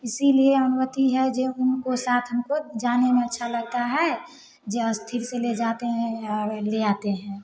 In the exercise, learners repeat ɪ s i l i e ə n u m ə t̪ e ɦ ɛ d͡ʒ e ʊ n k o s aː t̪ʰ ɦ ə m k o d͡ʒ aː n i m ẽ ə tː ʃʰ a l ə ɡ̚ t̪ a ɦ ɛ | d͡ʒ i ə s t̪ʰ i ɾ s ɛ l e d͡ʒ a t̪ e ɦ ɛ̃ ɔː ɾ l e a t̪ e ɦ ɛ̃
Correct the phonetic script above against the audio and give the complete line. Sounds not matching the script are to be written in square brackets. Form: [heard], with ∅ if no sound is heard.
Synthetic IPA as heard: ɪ s i l i e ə n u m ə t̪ [i] ɦ ɛ d͡ʒ e ʊ n k o s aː t̪ʰ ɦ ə m k o d͡ʒ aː n [e] m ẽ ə tː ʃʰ a l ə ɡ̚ t̪ a ɦ ɛ | d͡ʒ [e] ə s t̪ʰ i ɾ s [e] l e d͡ʒ a t̪ e ɦ ɛ̃ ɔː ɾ l e a t̪ e ɦ ɛ̃